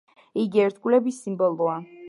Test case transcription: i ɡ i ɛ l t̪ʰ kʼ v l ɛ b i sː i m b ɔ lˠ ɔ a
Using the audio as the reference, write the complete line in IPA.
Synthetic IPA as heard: i ɡ i ɛ ɾ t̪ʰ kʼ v l ɛ b i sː i m b ɔ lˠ ɔ a